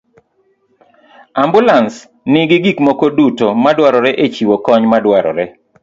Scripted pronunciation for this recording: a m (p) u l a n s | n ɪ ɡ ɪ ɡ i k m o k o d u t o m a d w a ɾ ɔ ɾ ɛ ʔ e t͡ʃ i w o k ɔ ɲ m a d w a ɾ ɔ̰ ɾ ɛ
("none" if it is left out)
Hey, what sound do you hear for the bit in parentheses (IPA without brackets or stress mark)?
b